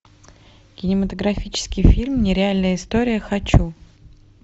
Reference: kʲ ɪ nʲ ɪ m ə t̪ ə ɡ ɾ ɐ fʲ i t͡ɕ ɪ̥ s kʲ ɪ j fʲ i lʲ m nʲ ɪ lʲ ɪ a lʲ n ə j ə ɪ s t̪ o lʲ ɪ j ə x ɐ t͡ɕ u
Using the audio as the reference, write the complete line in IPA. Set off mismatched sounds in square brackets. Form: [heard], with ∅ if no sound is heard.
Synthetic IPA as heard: kʲ ɪ nʲ ɪ m ə t̪ ə ɡ ɾ ɐ fʲ i t͡ɕ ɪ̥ s kʲ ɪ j fʲ i lʲ m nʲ ɪ [ɾʲ] ɪ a lʲ n ə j ə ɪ s t̪ o [ɾʲ] ɪ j ə x ɐ t͡ɕ u